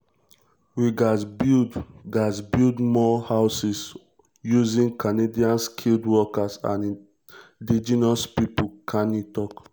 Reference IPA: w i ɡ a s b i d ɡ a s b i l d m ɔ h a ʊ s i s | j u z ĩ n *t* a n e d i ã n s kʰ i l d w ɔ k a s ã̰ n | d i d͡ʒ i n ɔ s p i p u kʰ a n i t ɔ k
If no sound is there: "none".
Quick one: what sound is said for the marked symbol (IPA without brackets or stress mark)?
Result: k